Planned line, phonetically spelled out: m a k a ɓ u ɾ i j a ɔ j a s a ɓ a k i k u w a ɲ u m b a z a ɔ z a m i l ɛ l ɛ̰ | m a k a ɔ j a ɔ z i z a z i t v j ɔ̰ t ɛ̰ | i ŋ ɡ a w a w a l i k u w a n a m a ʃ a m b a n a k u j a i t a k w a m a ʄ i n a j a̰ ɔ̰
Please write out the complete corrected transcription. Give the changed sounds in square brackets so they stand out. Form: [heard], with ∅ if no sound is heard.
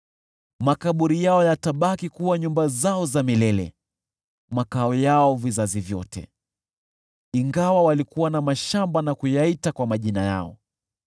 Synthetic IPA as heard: m a k a ɓ u ɾ i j a ɔ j a [t] a ɓ a k i k u w a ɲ u m b a z a ɔ z a m i l ɛ l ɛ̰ | m a k a ɔ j a ɔ [v] i z a z i [∅] v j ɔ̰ t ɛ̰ | i ŋ ɡ a w a w a l i k u w a n a m a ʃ a m b a n a k u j a i t a k w a m a ʄ i n a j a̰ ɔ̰